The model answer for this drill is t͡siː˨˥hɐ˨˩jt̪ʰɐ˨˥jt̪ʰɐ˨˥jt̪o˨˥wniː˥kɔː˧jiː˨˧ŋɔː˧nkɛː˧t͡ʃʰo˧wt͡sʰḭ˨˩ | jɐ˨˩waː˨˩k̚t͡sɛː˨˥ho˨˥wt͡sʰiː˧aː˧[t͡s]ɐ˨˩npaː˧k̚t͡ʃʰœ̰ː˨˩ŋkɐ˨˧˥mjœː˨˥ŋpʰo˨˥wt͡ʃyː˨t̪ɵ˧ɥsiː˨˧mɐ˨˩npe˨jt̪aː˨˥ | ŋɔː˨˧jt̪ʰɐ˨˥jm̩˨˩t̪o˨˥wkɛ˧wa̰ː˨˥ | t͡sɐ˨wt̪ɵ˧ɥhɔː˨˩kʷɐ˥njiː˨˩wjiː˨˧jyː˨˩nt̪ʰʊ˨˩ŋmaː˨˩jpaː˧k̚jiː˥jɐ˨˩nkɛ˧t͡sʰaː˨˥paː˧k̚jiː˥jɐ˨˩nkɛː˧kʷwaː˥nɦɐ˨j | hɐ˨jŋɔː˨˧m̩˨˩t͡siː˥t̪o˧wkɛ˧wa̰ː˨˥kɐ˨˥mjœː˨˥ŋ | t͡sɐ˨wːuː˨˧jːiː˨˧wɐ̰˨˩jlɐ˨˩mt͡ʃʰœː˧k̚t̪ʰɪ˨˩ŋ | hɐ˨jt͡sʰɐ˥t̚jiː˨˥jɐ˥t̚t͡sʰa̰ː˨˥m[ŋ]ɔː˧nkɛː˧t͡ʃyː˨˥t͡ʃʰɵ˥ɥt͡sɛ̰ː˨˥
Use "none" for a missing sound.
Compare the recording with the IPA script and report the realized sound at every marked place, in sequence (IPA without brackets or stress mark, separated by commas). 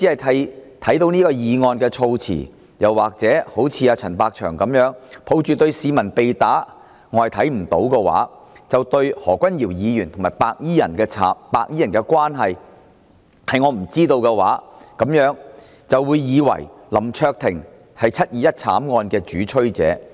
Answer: t͡sʰ, ŋ